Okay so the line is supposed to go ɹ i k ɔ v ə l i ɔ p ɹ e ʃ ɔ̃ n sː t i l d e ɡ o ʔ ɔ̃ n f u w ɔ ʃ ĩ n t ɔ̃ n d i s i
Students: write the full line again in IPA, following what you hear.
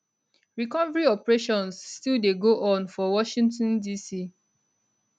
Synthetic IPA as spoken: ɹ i k ɔ v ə ɹ i ɔ p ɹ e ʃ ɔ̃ n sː t i l d e ɡ o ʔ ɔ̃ n f ɔ w ɔ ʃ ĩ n t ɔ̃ n d i s i